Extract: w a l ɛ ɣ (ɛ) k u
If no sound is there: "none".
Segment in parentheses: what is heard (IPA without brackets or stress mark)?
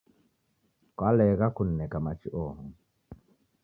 a